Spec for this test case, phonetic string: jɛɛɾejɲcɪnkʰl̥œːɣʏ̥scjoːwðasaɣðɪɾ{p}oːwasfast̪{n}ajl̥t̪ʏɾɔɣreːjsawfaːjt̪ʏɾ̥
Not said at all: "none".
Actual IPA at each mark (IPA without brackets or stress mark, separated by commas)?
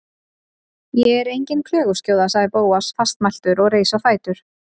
p, m